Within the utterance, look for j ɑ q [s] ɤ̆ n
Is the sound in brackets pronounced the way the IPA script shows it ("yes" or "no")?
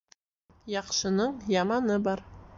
no